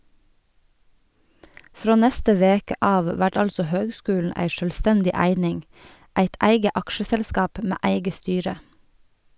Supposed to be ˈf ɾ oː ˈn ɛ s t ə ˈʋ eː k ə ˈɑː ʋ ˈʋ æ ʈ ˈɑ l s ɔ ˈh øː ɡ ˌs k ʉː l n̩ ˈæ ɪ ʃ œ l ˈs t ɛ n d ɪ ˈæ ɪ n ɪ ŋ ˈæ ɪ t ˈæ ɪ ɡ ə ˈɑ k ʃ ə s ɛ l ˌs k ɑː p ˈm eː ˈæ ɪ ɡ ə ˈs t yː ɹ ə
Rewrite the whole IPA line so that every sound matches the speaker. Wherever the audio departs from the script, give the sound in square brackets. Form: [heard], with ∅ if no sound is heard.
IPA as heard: ˈf ɾ oː ˈn ɛ s t ə ˈʋ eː k ə ˈɑː ʋ ˈʋ æ ʈ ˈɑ l s ɔ ˈh øː ɡ ˌs k ʉː l n̩ ˈæ ɪ ʃ œ l ˈs t ɛ n d ɪ ˈæ ɪ n ɪ ŋ ˈæ ɪ t ˈæ ɪ ɡ ə ˈɑ k ʃ ə s ɛ l ˌs k ɑː p ˈm eː ˈæ ɪ ɡ ə ˈs t yː ɹ ə